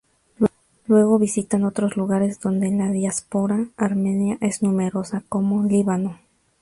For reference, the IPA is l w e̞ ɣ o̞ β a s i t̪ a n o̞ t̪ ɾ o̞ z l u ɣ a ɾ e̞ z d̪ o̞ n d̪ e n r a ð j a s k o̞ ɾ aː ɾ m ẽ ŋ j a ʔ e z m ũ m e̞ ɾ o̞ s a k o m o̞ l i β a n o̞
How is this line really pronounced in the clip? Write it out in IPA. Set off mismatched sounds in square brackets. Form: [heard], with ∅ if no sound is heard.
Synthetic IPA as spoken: l w e̞ ɣ o̞ β [i] s i t̪ a n o̞ t̪ ɾ o̞ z l u ɣ a ɾ e̞ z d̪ o̞ n d̪ e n [l] a ð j a s [p] o̞ ɾ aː ɾ m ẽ [n] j a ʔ e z [n] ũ m e̞ ɾ o̞ s a k o m o̞ l i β a n o̞